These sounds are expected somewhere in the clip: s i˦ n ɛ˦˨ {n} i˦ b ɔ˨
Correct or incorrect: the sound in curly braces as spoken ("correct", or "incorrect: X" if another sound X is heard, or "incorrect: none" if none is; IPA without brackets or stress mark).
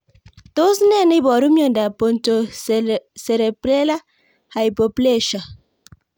correct